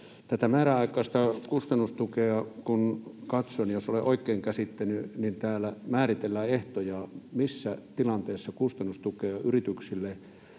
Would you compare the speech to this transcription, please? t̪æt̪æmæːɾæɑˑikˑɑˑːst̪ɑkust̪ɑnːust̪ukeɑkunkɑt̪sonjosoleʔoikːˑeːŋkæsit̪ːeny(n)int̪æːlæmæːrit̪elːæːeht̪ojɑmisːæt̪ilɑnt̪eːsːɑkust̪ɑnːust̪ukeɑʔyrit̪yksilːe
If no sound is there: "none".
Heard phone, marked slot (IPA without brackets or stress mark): n